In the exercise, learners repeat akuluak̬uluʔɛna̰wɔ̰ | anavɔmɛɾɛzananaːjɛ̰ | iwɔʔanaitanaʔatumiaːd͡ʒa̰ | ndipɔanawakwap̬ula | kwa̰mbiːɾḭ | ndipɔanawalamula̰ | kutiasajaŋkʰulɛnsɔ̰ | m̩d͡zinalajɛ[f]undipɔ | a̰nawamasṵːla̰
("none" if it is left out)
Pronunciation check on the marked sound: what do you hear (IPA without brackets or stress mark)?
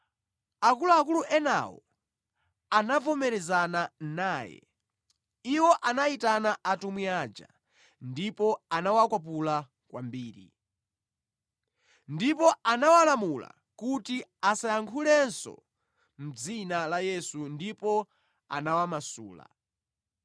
s